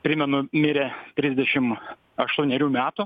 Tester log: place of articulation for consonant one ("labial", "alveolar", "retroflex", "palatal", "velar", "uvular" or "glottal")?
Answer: labial